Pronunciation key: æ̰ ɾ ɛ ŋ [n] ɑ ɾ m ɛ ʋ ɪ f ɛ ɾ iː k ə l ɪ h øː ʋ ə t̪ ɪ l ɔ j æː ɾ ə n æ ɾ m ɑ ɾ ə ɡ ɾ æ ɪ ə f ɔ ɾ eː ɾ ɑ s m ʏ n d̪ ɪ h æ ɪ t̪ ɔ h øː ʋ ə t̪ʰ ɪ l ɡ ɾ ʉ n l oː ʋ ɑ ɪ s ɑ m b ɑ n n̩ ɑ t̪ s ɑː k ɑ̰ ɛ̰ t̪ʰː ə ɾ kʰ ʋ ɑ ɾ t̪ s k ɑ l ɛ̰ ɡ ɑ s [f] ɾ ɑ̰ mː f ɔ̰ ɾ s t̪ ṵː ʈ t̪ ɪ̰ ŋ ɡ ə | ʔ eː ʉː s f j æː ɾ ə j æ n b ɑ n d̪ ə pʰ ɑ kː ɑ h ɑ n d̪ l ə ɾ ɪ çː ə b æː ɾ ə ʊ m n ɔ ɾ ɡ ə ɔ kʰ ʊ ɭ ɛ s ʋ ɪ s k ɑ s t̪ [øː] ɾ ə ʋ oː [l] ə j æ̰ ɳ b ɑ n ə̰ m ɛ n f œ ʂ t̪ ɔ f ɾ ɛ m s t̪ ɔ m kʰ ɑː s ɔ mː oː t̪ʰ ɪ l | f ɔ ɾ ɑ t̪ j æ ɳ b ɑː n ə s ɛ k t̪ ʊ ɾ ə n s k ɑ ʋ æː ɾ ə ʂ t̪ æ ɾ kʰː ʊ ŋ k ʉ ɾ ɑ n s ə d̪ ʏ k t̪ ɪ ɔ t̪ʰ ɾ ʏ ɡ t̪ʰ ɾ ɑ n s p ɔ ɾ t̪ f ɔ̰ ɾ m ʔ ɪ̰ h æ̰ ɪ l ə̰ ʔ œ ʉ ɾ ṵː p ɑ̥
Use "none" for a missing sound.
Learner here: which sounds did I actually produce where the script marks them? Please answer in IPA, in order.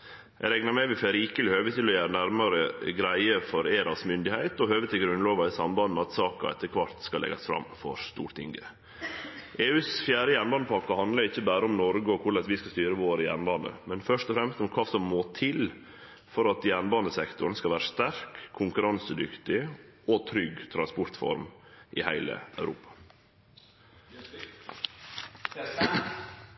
n, f, yː, ɾ

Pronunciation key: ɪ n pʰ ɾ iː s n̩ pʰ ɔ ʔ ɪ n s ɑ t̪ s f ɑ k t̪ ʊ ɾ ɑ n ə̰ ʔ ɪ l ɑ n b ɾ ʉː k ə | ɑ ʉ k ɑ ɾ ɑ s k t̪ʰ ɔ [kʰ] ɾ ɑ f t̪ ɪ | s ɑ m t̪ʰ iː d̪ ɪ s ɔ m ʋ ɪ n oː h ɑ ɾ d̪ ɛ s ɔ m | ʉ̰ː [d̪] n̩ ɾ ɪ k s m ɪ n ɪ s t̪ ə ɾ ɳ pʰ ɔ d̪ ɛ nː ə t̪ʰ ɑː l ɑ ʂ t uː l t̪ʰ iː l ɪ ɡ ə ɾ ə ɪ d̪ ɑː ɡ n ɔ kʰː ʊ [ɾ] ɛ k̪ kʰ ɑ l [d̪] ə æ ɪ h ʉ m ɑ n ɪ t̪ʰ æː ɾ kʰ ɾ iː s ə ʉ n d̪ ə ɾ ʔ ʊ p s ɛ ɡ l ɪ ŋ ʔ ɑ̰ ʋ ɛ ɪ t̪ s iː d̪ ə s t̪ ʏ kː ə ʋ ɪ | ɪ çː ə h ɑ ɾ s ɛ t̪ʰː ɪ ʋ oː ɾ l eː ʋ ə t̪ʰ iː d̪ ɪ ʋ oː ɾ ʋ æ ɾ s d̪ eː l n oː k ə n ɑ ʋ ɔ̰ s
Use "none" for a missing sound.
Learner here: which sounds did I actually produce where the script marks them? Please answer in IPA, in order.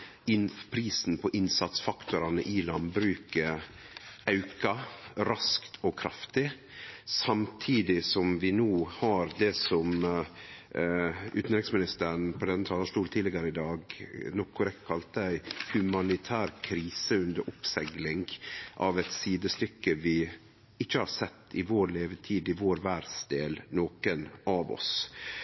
kʰ, t̪, ɾ, t̪

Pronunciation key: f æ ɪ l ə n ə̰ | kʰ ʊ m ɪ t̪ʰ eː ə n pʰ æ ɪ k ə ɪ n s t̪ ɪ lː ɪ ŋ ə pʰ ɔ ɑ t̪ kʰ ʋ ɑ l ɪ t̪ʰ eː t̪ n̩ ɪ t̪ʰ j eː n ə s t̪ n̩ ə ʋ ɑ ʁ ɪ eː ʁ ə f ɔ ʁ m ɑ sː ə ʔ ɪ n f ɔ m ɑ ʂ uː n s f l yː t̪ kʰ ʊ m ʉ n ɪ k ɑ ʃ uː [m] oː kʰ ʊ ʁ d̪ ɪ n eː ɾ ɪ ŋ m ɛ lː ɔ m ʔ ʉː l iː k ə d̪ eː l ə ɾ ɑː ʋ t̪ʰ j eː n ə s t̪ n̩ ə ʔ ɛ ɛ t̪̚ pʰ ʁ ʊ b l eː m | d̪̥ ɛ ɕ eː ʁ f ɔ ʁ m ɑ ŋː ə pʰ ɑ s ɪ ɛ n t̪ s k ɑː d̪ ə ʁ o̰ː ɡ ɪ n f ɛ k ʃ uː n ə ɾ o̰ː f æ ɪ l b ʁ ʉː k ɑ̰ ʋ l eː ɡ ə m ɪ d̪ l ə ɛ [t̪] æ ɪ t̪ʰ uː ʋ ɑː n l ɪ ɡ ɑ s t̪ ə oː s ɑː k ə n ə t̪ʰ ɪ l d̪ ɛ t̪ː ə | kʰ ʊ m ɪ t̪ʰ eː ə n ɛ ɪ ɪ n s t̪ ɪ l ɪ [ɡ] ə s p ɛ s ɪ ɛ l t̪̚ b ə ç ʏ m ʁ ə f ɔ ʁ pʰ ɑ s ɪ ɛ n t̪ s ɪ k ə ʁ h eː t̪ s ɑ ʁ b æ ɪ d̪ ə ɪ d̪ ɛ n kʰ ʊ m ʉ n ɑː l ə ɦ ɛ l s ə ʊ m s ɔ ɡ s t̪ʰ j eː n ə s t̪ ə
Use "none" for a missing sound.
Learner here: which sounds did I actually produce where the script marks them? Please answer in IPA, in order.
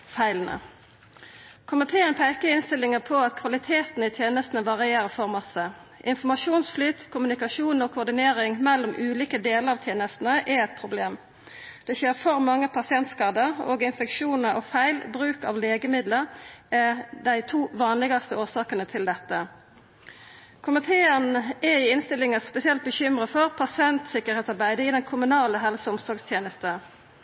n, d̪, ŋ

